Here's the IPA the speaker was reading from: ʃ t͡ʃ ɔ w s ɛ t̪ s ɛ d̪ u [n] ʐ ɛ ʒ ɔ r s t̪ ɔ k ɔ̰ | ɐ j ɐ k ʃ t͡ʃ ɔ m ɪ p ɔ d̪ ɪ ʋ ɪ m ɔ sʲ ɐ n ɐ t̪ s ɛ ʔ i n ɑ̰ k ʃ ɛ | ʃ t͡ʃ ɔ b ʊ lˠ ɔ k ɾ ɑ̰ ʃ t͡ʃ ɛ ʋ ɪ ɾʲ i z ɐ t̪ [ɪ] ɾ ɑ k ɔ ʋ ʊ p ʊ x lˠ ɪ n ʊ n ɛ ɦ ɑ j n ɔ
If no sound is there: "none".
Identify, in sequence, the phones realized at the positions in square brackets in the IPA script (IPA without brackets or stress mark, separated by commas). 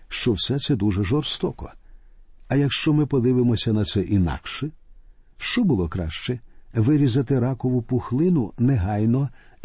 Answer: none, ɪ